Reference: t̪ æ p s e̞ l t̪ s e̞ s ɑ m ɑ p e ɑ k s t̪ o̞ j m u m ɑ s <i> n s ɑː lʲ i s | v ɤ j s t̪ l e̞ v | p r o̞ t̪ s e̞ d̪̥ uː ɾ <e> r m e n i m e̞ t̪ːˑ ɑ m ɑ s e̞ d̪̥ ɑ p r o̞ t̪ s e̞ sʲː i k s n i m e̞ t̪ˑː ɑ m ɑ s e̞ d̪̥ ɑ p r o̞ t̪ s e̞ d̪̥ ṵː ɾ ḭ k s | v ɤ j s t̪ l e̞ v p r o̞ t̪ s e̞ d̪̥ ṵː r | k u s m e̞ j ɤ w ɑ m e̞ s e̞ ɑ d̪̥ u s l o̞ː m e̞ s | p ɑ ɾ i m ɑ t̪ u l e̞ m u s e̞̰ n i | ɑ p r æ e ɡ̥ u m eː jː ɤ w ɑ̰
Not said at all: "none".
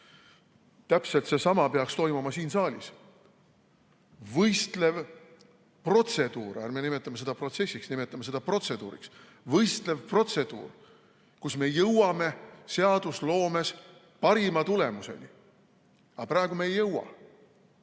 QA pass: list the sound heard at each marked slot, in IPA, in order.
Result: iː, æ

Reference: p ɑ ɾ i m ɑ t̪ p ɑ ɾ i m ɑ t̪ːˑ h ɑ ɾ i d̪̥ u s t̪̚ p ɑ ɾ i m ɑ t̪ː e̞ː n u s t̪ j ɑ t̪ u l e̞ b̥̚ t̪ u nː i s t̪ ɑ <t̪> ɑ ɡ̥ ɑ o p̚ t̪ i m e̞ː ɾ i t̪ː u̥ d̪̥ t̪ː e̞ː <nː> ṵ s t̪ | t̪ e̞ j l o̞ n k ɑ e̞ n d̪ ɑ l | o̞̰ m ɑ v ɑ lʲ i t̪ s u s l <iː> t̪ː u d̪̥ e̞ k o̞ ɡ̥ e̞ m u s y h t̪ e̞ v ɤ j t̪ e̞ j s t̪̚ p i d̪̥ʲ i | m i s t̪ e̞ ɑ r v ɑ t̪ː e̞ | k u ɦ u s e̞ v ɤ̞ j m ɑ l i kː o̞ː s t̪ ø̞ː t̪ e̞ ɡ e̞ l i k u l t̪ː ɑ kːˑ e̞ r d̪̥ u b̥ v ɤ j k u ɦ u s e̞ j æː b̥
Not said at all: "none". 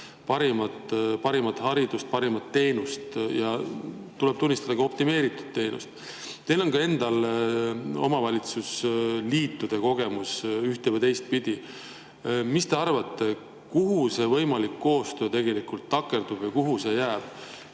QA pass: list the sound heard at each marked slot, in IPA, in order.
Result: d̪, n, iː

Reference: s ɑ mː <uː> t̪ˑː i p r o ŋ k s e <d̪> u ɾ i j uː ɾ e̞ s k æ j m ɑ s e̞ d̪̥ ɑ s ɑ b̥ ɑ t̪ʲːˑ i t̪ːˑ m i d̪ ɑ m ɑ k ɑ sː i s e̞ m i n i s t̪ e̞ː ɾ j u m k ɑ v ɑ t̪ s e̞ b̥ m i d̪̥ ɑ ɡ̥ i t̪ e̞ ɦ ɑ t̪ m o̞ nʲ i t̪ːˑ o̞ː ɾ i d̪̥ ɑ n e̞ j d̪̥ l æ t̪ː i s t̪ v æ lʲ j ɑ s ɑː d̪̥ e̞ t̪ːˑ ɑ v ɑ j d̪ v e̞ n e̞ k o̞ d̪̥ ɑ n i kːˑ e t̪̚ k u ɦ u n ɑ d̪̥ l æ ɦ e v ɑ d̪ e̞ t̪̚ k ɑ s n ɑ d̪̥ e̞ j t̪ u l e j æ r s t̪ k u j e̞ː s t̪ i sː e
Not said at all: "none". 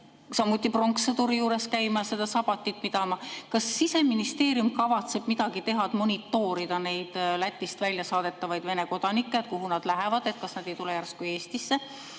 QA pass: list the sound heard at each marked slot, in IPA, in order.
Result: u, t̪

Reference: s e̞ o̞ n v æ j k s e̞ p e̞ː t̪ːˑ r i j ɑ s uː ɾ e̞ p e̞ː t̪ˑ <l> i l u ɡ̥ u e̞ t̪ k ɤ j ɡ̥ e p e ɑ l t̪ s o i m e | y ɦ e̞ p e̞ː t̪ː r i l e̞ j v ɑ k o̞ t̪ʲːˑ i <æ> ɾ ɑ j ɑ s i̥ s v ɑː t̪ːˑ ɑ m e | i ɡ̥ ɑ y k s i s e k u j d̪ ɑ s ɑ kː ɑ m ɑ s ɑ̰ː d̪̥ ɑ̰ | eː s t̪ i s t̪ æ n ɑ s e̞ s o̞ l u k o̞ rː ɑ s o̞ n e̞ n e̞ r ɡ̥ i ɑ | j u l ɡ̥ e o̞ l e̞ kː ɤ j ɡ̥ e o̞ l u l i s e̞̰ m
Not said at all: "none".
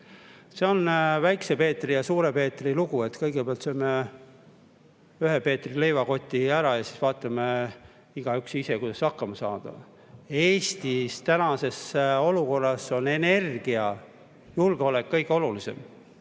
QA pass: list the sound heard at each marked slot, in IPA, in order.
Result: r, æ

